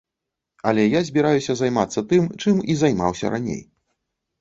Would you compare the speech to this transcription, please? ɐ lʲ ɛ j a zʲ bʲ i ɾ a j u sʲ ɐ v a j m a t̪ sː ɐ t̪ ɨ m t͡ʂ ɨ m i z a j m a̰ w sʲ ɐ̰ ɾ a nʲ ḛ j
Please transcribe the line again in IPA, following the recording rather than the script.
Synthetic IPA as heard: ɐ lʲ ɛ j a zʲ bʲ i ɾ a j u sʲ ɐ z a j m a t̪ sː ɐ t̪ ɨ m t͡ʂ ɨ m i z a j m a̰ w sʲ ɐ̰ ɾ a nʲ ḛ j